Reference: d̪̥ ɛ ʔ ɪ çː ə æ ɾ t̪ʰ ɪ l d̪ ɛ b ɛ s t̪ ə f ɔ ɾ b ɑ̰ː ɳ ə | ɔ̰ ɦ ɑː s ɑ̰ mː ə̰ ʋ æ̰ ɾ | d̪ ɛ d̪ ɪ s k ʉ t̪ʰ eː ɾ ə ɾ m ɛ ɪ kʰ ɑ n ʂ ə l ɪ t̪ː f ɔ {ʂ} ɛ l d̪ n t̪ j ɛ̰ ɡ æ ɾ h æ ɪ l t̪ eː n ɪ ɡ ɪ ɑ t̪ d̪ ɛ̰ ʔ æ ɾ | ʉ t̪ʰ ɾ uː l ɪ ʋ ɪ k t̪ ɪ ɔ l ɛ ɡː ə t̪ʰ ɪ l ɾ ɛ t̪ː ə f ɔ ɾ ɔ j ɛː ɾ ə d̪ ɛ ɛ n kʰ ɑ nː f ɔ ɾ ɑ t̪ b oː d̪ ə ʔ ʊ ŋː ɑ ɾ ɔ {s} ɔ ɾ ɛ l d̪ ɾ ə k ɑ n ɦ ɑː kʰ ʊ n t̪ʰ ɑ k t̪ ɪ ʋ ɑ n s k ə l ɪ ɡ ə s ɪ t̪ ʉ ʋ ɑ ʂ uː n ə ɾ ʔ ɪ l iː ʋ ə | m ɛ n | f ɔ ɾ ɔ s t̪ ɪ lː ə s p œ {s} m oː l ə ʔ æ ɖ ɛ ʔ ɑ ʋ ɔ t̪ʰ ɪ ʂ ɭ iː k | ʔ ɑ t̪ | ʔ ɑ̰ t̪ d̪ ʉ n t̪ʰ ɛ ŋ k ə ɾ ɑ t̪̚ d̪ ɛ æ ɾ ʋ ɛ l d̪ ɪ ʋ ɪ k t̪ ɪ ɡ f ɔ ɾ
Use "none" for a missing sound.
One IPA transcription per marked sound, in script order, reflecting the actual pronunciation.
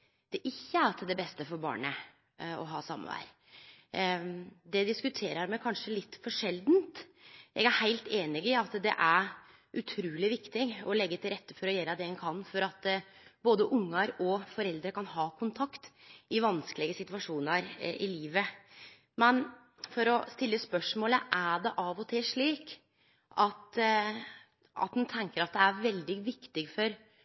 ʂ, f, ʂ

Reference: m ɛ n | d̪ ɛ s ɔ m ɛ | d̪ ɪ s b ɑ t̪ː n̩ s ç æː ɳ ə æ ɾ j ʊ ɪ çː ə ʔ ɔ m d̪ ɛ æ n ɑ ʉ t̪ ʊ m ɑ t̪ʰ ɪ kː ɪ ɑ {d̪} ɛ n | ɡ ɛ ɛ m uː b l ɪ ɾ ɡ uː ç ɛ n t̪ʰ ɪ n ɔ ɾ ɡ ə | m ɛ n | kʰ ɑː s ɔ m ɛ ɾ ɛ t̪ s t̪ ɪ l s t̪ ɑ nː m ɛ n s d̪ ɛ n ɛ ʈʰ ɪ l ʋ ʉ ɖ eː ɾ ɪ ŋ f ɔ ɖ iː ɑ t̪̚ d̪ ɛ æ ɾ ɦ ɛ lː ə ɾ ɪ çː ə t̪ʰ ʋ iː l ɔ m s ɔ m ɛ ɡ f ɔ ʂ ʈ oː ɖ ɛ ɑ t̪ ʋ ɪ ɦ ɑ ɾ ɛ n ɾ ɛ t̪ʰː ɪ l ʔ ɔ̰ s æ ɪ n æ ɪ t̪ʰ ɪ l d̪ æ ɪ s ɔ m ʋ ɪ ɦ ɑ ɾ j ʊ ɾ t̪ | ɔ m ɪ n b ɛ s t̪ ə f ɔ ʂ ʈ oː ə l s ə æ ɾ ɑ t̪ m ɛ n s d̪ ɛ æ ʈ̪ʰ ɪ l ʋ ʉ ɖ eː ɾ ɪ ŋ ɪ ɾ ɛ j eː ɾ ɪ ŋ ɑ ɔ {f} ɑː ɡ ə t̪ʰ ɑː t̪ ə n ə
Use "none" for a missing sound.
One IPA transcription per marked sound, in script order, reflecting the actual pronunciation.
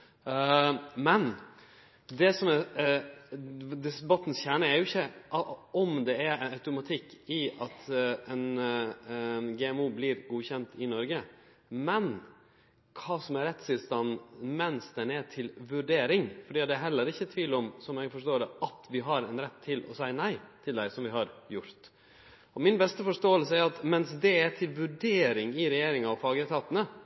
t̪, f

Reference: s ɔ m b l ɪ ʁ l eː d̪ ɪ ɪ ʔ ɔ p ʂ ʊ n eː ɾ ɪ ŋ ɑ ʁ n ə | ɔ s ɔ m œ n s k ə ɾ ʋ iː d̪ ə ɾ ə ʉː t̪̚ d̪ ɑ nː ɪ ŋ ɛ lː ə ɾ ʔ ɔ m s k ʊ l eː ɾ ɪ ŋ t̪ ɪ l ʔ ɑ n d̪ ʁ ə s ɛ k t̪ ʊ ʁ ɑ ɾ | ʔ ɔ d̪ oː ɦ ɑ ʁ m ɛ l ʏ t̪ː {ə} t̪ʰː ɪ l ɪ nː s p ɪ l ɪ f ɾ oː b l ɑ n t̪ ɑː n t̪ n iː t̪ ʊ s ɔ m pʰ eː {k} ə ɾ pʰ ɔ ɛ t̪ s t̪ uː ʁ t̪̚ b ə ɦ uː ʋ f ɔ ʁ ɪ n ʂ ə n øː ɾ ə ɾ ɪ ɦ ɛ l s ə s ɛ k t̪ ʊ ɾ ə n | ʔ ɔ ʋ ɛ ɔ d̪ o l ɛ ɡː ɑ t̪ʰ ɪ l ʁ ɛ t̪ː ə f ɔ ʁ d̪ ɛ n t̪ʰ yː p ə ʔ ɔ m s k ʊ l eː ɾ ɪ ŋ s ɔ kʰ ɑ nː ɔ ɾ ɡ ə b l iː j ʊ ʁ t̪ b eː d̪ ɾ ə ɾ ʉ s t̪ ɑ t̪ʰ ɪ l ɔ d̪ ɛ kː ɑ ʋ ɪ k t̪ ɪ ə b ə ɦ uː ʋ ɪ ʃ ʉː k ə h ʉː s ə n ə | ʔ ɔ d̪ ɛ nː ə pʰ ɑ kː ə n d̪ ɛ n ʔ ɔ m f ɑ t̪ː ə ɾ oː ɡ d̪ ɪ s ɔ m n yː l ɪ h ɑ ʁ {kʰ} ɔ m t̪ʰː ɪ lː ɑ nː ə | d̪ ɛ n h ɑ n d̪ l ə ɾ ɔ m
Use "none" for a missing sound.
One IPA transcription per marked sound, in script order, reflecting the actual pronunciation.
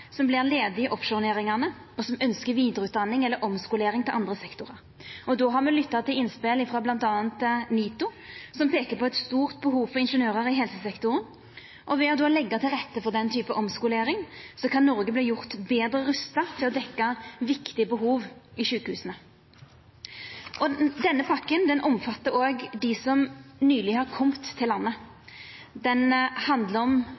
ɑ, k, kʰ

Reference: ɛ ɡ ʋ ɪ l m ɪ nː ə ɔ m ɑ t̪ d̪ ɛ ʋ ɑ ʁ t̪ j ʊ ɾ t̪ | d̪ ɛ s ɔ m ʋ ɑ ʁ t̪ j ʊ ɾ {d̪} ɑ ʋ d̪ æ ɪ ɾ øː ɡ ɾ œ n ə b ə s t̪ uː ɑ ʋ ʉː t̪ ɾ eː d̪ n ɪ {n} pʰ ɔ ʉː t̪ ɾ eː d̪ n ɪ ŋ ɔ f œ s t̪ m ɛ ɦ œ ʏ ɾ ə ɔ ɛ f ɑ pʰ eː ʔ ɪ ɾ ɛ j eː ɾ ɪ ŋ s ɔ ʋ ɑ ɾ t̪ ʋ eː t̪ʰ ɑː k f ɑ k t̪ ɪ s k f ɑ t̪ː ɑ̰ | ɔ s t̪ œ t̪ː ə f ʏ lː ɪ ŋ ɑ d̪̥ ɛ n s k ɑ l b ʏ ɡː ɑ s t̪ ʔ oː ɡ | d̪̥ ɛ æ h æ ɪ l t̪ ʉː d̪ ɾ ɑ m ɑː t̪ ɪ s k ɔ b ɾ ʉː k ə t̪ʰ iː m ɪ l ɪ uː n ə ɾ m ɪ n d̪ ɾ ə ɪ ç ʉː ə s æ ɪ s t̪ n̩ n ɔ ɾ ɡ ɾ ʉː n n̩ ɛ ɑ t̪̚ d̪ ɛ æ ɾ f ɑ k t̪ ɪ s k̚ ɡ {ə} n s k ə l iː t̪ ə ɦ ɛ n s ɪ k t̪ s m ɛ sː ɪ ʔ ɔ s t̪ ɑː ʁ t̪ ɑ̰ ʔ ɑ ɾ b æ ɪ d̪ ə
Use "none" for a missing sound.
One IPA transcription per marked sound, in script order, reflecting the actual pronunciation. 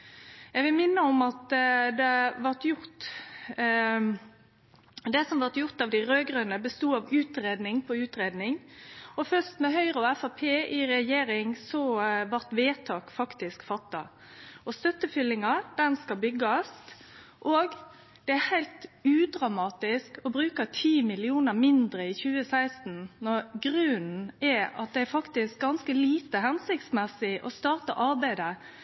t̪, ŋ, ɑ

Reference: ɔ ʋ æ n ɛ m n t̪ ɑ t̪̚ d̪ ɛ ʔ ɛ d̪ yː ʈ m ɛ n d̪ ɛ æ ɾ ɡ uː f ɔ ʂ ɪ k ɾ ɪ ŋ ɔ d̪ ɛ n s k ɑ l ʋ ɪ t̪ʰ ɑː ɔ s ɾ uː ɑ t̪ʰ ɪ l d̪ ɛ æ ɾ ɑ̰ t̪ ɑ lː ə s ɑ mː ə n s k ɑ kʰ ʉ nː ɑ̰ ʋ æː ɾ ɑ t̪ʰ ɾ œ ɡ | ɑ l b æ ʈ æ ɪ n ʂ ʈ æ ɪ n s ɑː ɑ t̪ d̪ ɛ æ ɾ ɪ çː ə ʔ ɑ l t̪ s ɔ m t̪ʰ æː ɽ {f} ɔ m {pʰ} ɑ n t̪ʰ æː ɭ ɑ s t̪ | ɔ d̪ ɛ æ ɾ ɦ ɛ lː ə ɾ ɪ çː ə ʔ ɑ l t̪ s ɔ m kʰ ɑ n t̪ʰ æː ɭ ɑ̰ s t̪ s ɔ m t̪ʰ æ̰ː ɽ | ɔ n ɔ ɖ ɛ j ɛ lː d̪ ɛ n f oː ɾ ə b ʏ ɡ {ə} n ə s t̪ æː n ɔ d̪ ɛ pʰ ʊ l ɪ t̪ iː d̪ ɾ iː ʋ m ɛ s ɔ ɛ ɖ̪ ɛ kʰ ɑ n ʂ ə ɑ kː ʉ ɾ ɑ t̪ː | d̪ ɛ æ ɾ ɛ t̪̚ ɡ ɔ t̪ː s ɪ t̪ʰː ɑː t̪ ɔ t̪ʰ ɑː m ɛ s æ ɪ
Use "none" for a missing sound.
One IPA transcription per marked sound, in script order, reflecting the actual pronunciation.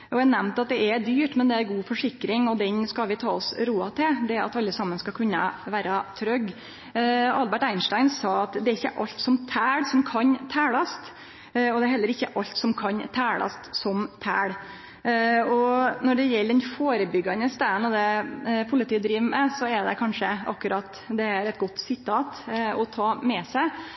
s, kʰ, ɑ

